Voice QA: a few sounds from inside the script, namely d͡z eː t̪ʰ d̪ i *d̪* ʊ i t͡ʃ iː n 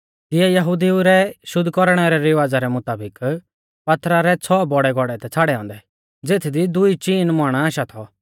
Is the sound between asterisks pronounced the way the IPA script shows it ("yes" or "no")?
yes